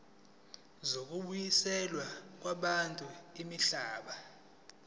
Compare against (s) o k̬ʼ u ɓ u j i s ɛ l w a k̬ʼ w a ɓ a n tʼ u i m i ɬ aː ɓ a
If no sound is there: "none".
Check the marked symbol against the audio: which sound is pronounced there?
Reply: z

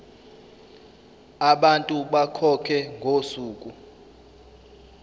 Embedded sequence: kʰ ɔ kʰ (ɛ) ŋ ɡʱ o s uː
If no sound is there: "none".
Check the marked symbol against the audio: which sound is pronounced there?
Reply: ɛ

